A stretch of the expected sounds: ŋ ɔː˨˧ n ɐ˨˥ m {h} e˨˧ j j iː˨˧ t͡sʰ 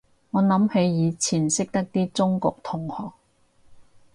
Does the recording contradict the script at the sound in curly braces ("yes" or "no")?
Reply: no